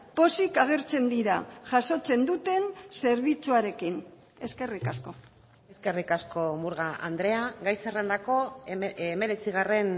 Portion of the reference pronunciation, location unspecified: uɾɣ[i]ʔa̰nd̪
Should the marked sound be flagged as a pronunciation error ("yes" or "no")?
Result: yes